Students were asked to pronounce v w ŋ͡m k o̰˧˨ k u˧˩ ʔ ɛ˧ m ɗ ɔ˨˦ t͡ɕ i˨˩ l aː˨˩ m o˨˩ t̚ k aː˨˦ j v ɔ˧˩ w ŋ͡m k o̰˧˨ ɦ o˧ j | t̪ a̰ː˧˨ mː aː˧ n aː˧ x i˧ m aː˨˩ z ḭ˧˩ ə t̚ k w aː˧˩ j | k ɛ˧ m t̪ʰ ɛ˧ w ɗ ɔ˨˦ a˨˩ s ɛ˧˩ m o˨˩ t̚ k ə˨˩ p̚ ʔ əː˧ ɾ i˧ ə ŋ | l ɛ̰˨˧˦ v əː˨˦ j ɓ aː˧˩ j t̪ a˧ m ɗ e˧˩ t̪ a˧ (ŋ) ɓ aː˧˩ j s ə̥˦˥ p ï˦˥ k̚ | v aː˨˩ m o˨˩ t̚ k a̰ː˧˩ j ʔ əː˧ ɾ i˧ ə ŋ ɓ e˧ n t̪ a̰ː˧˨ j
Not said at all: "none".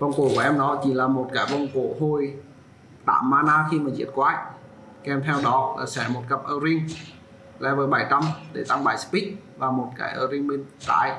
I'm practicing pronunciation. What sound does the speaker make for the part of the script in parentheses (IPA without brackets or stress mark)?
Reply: ŋ